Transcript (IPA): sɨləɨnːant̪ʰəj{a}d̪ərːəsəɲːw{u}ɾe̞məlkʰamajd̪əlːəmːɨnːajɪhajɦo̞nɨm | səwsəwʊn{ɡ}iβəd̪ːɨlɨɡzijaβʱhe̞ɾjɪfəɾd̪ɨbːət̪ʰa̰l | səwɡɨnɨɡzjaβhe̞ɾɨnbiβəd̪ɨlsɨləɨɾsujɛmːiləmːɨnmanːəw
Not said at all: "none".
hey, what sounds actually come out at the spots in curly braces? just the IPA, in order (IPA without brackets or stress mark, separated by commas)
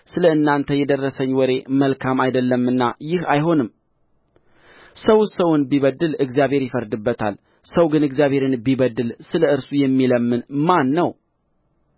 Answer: ɛ, ɔ, b